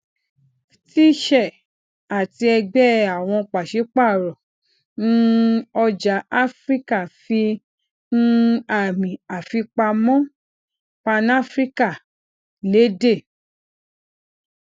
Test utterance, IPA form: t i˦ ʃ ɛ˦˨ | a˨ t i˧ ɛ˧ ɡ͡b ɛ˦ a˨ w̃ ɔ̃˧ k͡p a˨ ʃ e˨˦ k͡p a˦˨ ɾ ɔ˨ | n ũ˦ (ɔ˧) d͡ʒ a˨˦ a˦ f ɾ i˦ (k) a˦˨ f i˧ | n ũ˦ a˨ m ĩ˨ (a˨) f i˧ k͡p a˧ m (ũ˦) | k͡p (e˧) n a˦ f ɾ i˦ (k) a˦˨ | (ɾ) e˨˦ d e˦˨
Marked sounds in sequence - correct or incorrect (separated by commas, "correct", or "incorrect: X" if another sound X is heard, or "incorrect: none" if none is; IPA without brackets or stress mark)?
correct, correct, correct, incorrect: ɔ̃˦, incorrect: a˧, correct, incorrect: l